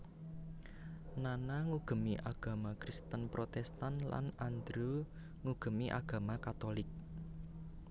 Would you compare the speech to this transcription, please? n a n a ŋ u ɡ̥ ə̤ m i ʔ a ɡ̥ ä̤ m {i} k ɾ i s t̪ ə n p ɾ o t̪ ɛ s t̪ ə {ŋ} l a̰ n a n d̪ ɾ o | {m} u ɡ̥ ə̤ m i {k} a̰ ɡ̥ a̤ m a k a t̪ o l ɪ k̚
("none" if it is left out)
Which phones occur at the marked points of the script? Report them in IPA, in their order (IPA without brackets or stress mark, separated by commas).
a, n, ŋ, ʔ